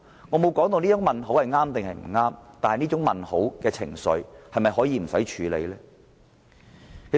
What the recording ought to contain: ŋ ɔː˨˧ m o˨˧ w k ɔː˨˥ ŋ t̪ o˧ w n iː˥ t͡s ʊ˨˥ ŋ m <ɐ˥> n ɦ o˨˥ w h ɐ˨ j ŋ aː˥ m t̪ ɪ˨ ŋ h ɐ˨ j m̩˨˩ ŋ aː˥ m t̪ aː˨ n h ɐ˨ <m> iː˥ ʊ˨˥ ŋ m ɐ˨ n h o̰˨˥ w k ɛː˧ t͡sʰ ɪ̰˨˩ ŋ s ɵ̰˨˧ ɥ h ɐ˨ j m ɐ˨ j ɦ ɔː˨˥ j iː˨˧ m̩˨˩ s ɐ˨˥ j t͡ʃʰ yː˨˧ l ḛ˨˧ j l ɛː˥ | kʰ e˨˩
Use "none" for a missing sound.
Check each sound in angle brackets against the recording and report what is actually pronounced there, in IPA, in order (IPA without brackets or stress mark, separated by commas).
ɐ˨, n